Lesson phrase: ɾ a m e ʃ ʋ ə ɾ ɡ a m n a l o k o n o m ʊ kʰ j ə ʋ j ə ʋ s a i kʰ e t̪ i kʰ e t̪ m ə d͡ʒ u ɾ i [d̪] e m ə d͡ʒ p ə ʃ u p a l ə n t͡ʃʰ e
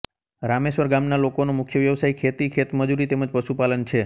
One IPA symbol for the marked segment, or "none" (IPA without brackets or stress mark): t̪